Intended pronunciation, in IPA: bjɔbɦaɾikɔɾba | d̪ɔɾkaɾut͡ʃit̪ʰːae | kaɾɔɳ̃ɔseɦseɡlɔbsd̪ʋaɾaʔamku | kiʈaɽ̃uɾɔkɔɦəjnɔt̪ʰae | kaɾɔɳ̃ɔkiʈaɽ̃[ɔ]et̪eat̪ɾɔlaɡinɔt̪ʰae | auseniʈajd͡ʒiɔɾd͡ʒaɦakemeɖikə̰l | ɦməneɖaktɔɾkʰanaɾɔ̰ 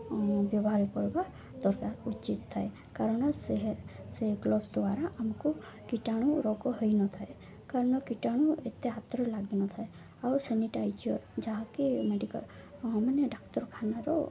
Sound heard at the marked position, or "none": u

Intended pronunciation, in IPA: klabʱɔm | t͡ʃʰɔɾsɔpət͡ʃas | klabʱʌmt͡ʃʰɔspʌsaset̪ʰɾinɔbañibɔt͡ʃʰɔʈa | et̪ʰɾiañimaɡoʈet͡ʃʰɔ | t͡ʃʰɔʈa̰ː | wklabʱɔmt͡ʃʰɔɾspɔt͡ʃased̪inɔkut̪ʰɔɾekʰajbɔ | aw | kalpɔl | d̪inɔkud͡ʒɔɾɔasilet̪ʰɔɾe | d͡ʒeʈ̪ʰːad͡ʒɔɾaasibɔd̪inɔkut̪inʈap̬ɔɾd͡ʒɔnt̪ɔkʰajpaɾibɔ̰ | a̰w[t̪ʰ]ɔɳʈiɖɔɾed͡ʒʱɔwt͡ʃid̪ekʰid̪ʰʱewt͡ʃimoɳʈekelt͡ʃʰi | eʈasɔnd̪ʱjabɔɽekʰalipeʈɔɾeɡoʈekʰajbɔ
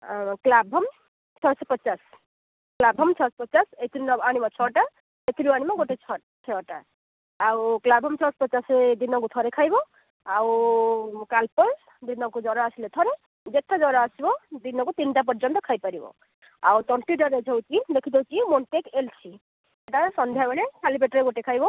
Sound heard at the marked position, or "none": t̪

